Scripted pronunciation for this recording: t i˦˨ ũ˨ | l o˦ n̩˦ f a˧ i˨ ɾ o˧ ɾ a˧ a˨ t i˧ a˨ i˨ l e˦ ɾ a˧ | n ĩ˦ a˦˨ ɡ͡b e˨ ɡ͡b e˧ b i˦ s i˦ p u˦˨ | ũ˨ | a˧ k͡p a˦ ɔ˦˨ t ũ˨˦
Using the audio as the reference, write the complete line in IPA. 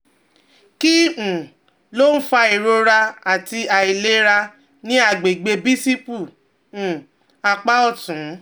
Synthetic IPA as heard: k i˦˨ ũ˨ | l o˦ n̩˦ f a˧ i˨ ɾ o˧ ɾ a˧ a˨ t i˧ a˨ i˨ l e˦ ɾ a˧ | n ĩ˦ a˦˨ ɡ͡b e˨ ɡ͡b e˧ b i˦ s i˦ p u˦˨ | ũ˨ | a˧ k͡p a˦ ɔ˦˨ t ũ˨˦